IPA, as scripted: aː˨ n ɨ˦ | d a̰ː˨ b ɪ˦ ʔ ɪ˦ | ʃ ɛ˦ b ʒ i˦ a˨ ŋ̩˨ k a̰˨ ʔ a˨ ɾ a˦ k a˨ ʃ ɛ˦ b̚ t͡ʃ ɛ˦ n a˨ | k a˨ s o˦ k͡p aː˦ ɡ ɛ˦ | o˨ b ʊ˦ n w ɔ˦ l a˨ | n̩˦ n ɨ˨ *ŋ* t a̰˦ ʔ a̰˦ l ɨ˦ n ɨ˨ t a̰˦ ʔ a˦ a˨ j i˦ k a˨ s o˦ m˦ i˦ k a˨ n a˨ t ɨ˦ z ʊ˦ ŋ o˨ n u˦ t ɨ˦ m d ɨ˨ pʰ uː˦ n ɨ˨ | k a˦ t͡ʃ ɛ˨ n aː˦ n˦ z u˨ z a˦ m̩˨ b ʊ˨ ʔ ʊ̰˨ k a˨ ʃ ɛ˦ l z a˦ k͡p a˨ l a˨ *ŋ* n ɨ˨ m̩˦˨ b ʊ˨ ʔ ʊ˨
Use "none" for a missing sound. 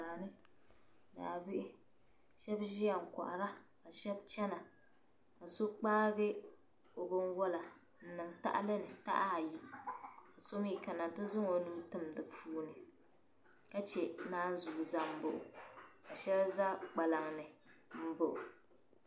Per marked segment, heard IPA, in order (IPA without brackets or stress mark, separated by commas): ŋ, ŋ